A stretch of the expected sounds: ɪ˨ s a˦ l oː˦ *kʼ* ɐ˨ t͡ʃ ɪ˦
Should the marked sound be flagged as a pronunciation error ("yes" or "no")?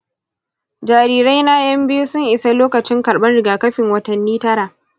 yes